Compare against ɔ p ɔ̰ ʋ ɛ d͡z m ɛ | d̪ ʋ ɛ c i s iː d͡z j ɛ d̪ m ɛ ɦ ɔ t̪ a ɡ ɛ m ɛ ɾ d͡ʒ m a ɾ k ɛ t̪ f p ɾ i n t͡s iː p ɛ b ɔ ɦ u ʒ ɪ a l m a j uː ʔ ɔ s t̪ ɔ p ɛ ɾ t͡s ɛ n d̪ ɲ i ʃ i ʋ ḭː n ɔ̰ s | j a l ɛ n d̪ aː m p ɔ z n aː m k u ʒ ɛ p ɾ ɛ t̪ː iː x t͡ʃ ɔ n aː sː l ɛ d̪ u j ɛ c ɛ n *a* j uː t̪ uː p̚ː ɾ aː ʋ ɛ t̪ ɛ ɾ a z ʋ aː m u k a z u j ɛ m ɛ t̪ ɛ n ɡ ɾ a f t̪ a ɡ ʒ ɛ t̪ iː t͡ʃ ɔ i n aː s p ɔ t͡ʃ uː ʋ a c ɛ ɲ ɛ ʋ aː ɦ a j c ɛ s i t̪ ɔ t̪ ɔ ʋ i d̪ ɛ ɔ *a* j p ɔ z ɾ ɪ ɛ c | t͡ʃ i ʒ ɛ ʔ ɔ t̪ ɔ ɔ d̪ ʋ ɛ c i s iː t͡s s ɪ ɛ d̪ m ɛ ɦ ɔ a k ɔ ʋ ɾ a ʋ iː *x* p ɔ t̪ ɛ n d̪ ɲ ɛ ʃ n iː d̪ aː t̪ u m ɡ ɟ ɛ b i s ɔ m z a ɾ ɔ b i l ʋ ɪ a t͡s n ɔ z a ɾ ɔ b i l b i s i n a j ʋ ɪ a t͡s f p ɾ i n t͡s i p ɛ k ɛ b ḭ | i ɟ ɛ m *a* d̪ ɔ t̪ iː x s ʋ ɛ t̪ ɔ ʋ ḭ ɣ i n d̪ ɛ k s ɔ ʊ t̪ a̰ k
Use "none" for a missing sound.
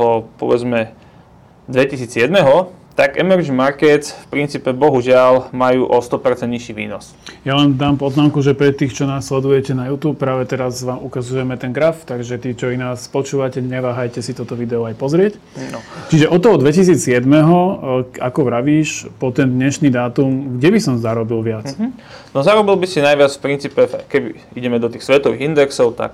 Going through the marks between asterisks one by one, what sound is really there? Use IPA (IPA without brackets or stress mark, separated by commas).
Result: a, a, ʃ, ɛ